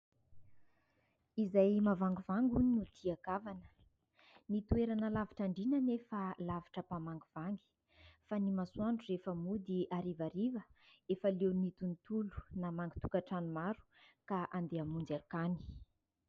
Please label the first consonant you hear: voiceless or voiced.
voiced